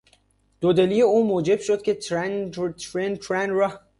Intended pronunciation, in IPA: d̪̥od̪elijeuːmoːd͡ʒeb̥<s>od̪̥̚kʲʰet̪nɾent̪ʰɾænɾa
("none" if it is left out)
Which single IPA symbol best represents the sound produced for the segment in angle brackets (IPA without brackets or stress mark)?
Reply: ʃ